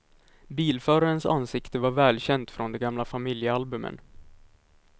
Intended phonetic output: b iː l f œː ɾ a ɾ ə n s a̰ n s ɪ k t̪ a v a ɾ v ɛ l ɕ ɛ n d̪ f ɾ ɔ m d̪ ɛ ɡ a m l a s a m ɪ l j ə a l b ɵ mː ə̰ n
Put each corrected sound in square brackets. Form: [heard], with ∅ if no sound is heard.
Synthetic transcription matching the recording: b iː l f œː ɾ a ɾ ə n s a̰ n s ɪ k t̪ [ə] v a ɾ v [ɛː] l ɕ ɛ n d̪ f ɾ ɔ [n] d̪ ɛ ɡ a m l a [f] a m ɪ l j ə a l b ɵ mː ə̰ n